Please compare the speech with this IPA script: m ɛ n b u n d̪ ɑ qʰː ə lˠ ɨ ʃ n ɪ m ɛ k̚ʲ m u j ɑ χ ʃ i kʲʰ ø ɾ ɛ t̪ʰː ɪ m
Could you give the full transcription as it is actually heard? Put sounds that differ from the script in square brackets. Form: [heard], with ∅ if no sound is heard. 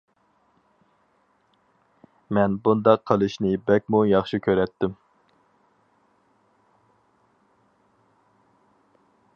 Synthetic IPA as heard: m ɛ n b u n d̪ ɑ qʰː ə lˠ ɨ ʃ n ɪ [b] ɛ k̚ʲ m u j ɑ χ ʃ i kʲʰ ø ɾ ɛ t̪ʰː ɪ m